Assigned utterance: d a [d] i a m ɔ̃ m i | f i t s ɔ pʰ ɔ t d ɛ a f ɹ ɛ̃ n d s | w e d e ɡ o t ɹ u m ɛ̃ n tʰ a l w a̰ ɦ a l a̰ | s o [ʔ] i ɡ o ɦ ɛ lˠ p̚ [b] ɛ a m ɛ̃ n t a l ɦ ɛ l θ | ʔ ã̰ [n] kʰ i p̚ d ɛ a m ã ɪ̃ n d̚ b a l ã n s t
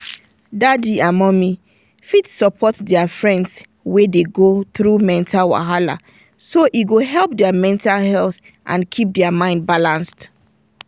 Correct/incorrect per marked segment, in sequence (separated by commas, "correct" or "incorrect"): correct, correct, incorrect, correct